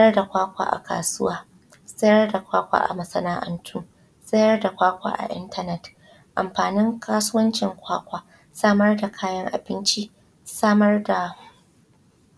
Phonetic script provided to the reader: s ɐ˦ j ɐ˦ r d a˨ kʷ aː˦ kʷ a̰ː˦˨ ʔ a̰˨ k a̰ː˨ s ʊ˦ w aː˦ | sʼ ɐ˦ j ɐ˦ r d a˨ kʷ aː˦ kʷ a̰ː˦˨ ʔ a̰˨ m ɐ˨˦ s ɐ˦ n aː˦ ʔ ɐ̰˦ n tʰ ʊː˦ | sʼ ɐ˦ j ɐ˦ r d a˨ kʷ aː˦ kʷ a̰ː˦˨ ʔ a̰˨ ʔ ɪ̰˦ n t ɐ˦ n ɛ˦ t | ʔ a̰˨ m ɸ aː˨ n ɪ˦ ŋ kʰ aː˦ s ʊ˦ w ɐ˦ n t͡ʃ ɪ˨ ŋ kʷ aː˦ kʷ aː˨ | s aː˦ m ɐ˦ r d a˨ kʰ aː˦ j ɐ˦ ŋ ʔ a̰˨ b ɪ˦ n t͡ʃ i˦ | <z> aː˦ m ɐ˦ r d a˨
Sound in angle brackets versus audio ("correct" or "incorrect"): incorrect